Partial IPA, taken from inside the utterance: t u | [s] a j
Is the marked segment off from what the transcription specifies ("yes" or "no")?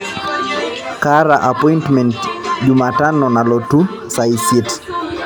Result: no